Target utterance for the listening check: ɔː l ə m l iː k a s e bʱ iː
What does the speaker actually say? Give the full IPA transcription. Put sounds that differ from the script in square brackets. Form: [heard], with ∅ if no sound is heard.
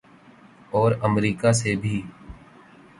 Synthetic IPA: ɔː [ɾ] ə m [ɾ] iː k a s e bʱ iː